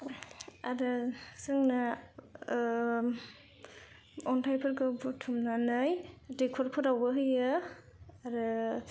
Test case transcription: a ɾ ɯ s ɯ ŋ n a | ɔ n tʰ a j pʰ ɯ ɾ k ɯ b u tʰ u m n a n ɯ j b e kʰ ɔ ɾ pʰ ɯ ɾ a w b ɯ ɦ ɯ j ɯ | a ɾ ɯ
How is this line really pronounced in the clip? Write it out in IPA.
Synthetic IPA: a ɾ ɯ s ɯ ŋ n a | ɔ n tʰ a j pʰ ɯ ɾ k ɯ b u tʰ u m n a n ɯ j d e kʰ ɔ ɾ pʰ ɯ ɾ a w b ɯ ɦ ɯ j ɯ | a ɾ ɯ